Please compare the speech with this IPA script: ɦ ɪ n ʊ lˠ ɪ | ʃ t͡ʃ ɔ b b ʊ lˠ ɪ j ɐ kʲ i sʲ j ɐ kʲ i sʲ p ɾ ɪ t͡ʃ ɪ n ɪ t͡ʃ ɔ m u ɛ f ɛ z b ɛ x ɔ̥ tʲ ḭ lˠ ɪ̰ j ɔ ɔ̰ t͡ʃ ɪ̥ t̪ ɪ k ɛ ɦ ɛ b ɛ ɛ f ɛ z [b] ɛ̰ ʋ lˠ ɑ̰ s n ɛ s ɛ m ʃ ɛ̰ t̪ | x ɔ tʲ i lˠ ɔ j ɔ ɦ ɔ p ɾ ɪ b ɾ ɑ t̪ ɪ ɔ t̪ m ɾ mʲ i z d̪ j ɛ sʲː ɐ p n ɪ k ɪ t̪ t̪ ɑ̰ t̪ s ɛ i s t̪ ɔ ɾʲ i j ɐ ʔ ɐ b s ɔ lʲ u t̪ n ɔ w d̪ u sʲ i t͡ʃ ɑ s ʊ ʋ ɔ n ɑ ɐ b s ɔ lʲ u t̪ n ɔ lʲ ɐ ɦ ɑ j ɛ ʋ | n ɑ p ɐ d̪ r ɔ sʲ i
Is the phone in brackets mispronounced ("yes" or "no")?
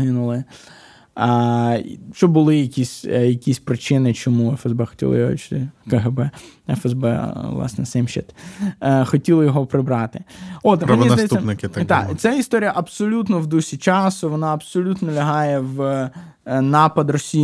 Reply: no